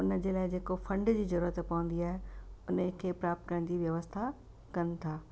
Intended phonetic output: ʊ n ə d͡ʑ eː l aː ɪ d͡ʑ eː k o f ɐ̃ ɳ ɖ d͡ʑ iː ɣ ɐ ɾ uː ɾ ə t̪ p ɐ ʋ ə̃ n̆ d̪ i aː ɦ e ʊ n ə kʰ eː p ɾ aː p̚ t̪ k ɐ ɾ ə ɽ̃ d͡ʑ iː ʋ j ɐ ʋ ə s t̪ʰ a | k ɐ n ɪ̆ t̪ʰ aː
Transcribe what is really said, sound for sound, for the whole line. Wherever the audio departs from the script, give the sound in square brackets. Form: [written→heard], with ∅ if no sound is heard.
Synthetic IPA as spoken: ʊ n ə d͡ʑ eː l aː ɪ d͡ʑ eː k o f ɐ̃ ɳ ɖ d͡ʑ iː [ɣ→z] ɐ ɾ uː ɾ ə t̪ p ɐ ʋ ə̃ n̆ d̪ i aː ɦ e ʊ n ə kʰ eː p ɾ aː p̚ t̪ k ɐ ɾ ə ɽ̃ d͡ʑ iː ʋ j ɐ ʋ ə s t̪ʰ a | k ɐ n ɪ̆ t̪ʰ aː

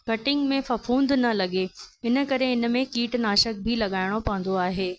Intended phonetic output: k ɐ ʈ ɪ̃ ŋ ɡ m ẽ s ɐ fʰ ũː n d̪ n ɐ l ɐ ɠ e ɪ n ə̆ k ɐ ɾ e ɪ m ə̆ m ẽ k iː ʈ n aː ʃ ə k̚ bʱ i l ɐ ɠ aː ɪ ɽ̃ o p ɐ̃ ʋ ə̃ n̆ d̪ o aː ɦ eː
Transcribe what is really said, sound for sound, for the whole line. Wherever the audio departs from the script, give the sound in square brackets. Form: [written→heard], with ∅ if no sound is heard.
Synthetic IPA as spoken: k ɐ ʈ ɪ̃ ŋ ɡ m ẽ [s→f] ɐ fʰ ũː n d̪ n ɐ l ɐ ɠ e ɪ n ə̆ k ɐ ɾ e ɪ [m→n] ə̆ m ẽ k iː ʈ n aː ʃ ə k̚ bʱ i l ɐ ɠ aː ɪ ɽ̃ o p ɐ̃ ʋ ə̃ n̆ d̪ o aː ɦ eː

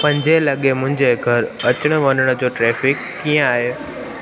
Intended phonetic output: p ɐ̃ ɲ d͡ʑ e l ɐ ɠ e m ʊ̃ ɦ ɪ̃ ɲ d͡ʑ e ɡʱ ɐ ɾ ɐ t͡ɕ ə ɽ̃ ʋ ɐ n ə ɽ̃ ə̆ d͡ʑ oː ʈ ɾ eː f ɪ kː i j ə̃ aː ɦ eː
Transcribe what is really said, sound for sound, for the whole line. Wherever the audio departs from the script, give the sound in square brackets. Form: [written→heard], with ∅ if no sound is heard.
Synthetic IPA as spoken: p ɐ̃ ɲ d͡ʑ e l ɐ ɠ e m ʊ̃ ɦ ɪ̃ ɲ d͡ʑ e ɡʱ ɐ ɾ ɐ t͡ɕ ə ɽ̃ ʋ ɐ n ə ɽ̃ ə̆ d͡ʑ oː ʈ ɾ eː f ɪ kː i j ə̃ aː ɦ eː

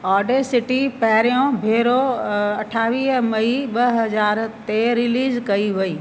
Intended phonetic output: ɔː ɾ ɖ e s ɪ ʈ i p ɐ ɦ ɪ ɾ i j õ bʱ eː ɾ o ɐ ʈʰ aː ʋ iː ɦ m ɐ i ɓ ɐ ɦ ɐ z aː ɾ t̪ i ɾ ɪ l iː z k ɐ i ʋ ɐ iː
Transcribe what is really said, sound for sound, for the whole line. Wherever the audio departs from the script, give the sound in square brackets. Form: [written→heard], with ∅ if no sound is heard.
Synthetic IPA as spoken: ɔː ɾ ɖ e s ɪ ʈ i p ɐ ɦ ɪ ɾ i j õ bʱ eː ɾ o ɐ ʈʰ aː ʋ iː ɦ m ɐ i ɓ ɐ ɦ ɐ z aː ɾ t̪ [i→e] ɾ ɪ l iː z k ɐ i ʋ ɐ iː

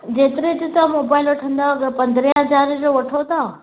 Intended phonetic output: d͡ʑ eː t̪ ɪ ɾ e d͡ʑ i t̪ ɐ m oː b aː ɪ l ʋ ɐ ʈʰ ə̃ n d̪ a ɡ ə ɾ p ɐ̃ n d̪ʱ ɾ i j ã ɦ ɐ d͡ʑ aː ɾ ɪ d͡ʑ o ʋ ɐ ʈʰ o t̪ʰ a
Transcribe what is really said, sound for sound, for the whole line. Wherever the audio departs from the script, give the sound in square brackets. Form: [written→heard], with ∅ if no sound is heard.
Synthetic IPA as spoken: d͡ʑ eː t̪ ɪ ɾ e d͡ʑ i t̪ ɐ m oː b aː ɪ l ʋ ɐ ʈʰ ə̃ n d̪ a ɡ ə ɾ p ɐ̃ n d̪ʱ ɾ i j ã ɦ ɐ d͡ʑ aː ɾ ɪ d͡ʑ o ʋ ɐ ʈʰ o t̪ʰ a

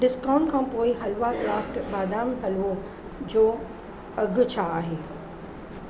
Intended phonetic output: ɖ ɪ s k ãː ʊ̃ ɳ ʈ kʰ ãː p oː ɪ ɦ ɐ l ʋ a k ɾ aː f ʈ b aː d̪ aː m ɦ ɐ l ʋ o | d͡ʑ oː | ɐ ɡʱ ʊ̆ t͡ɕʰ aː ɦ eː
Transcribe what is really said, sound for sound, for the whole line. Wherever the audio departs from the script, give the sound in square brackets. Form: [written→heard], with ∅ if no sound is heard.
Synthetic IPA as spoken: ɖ ɪ s k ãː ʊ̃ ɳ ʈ kʰ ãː p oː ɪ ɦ ɐ l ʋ a k ɾ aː f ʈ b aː d̪ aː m ɦ ɐ l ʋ o | d͡ʑ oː | ɐ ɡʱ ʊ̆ t͡ɕʰ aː ɦ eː

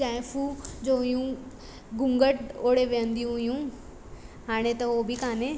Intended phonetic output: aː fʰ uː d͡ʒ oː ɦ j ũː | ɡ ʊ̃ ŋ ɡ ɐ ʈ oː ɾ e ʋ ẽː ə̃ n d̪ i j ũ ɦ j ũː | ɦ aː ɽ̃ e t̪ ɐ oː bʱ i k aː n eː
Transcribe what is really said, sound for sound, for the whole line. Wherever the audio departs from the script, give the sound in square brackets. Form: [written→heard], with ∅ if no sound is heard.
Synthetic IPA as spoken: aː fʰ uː d͡ʒ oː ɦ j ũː | ɡ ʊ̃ ŋ ɡ [ɐ→ə] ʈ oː [ɾ→ɽ] e ʋ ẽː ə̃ n d̪ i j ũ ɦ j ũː | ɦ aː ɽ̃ e t̪ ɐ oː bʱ i k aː n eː

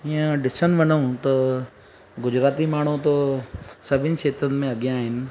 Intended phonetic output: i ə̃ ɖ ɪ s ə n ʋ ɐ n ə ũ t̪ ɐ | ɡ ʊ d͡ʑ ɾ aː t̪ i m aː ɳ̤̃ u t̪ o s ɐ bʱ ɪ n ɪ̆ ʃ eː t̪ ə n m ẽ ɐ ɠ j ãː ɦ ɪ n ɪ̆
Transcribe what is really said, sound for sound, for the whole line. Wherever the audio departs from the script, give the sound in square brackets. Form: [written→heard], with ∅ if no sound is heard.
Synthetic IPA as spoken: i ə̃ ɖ ɪ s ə n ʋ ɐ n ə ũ t̪ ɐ | ɡ ʊ d͡ʑ ɾ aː t̪ i m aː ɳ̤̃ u t̪ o s ɐ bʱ ɪ n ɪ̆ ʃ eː t̪ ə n m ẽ ɐ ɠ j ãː ɦ ɪ n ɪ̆

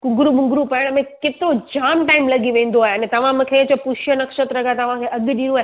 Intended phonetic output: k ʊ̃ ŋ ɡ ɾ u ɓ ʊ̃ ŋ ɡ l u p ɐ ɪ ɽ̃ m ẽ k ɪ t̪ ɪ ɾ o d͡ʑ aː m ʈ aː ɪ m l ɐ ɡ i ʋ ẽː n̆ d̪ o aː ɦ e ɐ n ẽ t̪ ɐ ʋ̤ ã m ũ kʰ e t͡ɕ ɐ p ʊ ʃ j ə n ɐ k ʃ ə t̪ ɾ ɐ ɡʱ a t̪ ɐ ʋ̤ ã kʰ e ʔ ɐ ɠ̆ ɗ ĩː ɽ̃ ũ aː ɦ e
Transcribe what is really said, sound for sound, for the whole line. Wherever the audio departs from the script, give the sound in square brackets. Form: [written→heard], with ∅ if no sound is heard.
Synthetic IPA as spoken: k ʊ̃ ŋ ɡ ɾ u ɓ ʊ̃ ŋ ɡ [l→ɾ] u p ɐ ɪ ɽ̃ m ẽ k ɪ t̪ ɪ ɾ o d͡ʑ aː m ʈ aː ɪ m l ɐ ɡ i ʋ ẽː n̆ d̪ o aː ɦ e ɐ n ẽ t̪ ɐ ʋ̤ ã m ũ kʰ e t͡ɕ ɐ p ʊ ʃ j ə n ɐ k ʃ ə t̪ ɾ ɐ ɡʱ a t̪ ɐ ʋ̤ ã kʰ e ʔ ɐ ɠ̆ ɗ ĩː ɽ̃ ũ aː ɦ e

